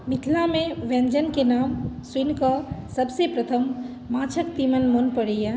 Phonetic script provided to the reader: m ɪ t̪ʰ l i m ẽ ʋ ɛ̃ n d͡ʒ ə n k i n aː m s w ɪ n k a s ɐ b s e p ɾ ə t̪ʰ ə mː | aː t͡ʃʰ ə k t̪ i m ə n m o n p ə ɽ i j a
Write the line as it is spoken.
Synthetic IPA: m ɪ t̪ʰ l a m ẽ ʋ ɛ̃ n d͡ʒ ə n k e n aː m s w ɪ n k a s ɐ b s e p ɾ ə t̪ʰ ə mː | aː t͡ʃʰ ə k t̪ i m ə n m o n p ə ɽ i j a